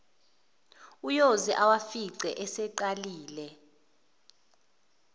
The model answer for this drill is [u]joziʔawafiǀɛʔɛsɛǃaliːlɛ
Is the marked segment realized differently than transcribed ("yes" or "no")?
no